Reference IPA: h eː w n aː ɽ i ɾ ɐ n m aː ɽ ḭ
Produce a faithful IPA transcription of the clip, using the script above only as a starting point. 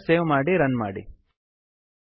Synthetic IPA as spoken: s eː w m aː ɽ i ɾ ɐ n m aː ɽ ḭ

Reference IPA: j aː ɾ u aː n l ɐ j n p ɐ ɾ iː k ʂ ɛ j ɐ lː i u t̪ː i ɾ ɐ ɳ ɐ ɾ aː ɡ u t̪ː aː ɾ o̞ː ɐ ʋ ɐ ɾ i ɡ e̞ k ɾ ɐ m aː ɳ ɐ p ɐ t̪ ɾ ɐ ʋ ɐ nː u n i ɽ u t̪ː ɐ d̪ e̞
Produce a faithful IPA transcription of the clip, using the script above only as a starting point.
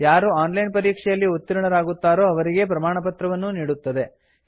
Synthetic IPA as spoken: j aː ɾ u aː n l ɐ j n p ɐ ɾ iː k ʂ ɛ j ɐ lː i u t̪ː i ɾ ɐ ɳ ɐ ɾ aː ɡ u t̪ː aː ɾ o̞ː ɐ ʋ ɐ ɾ i ɡ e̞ p ɾ ɐ m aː ɳ ɐ p ɐ t̪ ɾ ɐ ʋ ɐ nː u n iː ɽ u t̪ː ɐ d̪ e̞

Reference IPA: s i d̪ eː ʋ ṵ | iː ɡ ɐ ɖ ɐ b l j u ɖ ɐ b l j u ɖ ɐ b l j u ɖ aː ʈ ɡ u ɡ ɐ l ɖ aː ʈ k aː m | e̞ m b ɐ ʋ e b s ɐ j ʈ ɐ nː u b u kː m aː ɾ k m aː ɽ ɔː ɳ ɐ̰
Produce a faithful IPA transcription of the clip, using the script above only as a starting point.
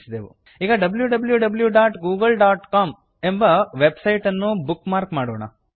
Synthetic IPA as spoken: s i d̪ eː ʋ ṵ | iː ɡ ɐ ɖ ɐ b l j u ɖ ɐ b l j u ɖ ɐ b l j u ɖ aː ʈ ɡ uː ɡ ɐ l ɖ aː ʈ k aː m | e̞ m b ɐ ʋ e b s ɐ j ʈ ɐ nː u b u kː m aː ɾ k m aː ɽ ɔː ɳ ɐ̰

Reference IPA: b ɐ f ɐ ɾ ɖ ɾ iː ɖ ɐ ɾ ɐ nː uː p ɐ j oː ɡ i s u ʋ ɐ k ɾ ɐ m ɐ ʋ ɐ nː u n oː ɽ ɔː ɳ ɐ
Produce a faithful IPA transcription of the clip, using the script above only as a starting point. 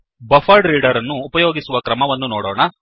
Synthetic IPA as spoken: b ɐ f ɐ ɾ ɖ ɾ iː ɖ ɐ ɾ ɐ nː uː p ɐ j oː ɡ i s u ʋ ɐ k ɾ ɐ m ɐ ʋ ɐ nː u n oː ɽ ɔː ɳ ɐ

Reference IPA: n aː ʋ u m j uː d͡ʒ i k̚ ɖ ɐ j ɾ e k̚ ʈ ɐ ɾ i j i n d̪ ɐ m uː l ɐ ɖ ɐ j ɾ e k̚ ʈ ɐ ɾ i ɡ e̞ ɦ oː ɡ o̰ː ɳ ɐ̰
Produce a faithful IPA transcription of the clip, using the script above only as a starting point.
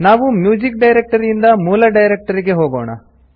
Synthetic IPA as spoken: n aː ʋ u m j uː d͡ʒ i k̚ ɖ ɐ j ɾ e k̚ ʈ ɐ ɾ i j i n d̪ ɐ m uː l ɐ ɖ ɐ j ɾ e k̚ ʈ ɐ ɾ i ɡ e̞ ɦ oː ɡ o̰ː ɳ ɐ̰

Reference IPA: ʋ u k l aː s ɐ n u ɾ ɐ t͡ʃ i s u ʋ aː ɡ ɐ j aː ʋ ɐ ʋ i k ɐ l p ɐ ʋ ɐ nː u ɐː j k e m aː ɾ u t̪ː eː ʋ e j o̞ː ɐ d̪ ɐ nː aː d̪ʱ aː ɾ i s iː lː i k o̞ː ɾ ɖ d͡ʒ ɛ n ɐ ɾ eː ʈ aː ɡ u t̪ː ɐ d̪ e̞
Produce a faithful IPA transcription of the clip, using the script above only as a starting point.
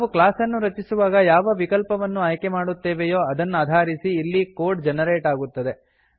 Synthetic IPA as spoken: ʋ u k l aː s ɐ nː u ɾ ɐ t͡ʃ i s u ʋ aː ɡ ɐ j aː ʋ ɐ ʋ i k ɐ l p ɐ ʋ ɐ nː u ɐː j k e m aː ɽ u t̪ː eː ʋ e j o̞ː ɐ d̪ ɐ nː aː d̪ʱ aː ɾ i s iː lː i k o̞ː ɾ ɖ d͡ʒ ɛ n ɐ ɾ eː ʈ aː ɡ u t̪ː ɐ d̪ e̞

